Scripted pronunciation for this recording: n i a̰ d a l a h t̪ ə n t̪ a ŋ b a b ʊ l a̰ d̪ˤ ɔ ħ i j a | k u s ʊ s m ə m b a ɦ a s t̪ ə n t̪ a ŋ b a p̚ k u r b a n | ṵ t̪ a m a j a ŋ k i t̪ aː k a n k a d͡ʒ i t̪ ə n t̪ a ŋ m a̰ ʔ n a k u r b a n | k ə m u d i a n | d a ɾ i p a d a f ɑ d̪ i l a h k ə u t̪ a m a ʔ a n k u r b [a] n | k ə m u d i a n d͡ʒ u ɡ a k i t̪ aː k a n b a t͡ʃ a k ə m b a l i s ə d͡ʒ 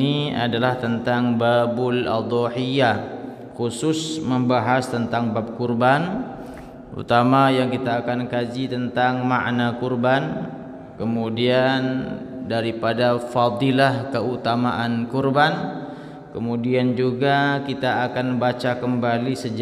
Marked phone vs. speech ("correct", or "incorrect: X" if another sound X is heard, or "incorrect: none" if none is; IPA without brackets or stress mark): correct